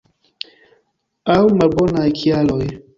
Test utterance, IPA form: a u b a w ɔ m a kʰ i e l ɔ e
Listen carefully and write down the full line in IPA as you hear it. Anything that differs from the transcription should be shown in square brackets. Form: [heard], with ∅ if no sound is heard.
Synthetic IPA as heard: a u [m] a [b] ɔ [n] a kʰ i [a] l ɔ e